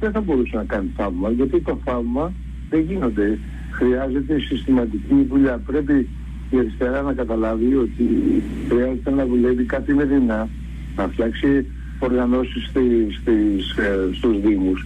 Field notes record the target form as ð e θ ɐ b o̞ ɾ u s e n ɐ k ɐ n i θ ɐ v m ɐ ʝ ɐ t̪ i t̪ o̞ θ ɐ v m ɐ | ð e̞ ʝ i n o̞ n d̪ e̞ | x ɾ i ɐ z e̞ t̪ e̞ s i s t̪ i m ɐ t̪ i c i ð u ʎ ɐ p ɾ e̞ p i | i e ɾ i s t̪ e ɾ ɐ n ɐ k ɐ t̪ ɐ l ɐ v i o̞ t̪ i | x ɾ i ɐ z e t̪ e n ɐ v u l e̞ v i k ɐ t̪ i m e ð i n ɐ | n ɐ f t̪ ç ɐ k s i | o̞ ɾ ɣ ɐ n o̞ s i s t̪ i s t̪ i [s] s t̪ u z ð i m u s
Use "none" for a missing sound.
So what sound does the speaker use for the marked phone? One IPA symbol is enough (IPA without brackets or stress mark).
s